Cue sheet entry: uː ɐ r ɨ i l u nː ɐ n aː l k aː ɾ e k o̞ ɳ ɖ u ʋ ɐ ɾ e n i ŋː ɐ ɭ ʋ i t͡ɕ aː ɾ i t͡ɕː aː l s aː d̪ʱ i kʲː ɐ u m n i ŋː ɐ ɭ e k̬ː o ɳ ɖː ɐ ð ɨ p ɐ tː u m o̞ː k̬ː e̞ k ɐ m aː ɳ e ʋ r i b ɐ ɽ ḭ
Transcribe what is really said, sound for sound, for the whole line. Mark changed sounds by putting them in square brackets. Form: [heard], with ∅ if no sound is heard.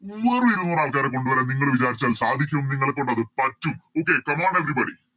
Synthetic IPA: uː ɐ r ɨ i [ɾ] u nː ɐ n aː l k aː ɾ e k o̞ ɳ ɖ u ʋ ɐ ɾ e n i ŋː ɐ ɭ ʋ i t͡ɕ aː ɾ i t͡ɕː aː l s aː d̪ʱ i kʲː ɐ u m n i ŋː ɐ ɭ e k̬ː o ɳ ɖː ɐ ð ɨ p ɐ tː u m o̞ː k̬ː e̞ k ɐ m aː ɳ e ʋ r i b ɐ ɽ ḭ